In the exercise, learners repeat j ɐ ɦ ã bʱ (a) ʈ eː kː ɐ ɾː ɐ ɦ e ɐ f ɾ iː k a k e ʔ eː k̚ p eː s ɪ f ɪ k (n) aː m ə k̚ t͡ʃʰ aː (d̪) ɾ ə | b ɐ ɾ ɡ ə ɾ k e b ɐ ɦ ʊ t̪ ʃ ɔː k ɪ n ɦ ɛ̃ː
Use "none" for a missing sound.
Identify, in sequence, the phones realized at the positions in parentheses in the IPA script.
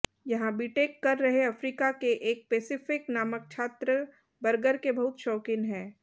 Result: i, n, t̪

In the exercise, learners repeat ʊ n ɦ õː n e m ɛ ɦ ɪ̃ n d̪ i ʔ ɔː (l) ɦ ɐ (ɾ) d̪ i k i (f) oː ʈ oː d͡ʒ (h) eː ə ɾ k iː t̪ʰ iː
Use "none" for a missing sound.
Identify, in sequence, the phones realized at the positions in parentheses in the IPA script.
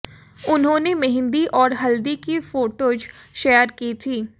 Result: ɾ, l, f, ʃ

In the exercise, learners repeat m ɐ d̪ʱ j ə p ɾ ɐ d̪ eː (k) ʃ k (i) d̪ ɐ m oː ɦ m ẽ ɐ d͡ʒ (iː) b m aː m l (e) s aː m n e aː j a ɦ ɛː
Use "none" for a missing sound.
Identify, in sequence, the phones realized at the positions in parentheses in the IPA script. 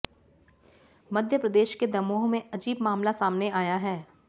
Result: none, e, iː, a

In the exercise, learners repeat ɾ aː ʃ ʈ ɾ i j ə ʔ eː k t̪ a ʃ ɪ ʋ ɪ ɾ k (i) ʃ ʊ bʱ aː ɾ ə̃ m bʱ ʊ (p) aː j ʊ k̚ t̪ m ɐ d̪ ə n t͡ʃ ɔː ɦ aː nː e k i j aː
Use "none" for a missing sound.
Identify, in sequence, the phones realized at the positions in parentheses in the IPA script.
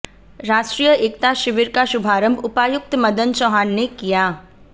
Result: a, p

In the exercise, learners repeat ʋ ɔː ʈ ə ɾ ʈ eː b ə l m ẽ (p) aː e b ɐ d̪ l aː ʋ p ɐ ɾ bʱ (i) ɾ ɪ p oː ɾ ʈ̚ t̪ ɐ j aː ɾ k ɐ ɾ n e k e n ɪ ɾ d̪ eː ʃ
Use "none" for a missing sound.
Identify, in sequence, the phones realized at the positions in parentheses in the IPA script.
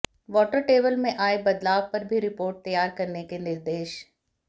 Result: ʔ, i

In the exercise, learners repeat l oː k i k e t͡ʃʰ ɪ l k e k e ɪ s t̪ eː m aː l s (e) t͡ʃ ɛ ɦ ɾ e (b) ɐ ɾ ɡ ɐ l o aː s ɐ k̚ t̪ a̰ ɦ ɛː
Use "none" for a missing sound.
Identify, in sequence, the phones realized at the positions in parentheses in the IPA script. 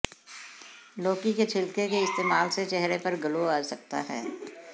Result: e, p

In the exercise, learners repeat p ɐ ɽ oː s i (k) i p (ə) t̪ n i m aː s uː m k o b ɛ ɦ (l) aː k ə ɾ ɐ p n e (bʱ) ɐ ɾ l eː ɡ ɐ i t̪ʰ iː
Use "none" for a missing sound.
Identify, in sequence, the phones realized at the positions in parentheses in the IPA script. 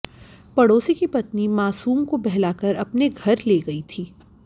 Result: k, ɐ, l, ɡʱ

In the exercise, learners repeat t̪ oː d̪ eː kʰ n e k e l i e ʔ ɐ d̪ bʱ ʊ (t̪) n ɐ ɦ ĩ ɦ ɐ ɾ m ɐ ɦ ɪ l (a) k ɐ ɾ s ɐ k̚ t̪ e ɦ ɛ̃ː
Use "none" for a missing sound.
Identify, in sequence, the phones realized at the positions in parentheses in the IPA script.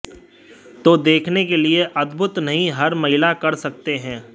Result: t̪, a

